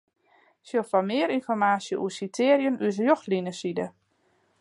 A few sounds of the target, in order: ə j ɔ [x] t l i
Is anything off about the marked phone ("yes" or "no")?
no